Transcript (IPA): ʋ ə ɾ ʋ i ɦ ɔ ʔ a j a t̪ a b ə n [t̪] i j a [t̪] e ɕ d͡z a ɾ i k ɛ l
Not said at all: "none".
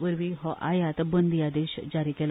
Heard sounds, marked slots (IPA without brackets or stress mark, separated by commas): d̪, d̪